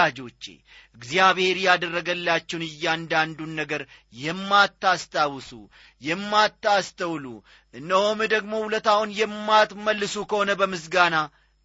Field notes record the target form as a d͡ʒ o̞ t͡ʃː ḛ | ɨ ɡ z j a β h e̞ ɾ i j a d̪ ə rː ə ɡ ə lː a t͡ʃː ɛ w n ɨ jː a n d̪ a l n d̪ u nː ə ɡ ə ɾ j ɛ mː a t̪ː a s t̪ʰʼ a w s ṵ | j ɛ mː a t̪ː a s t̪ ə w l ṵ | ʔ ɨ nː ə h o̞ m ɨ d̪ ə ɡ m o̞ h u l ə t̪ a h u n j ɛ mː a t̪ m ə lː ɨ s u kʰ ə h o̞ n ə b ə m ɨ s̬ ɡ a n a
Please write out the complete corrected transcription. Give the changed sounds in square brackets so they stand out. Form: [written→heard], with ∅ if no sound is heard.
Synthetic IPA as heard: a d͡ʒ o̞ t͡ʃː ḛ | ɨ ɡ z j a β h e̞ ɾ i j a d̪ ə rː ə ɡ ə lː a t͡ʃː ɛ w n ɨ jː a n d̪ a [l→∅] n d̪ u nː ə ɡ ə ɾ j ɛ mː a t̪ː a s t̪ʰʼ a w s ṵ | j ɛ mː a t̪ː a s t̪ ə w l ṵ | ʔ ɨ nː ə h o̞ m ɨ d̪ ə ɡ m o̞ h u l ə t̪ a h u n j ɛ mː a t̪ m ə lː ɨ s u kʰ ə h o̞ n ə b ə m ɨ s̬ ɡ a n a